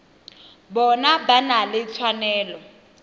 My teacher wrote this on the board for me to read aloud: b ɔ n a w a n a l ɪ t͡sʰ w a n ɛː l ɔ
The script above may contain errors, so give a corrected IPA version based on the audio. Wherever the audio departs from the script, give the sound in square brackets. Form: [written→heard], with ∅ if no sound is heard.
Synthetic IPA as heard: b ɔ n a [w→b] a n a l ɪ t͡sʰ w a n ɛː l ɔ